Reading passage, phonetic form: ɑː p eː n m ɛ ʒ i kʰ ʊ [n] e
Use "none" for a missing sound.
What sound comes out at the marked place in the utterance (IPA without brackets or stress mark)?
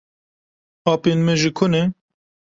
n